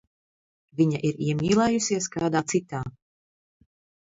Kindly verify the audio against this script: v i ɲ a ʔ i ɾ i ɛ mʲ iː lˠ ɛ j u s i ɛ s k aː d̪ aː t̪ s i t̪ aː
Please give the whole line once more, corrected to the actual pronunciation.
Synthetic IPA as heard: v i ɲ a ʔ i ɾ i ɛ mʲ iː lˠ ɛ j u s i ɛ s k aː d̪ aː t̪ s i t̪ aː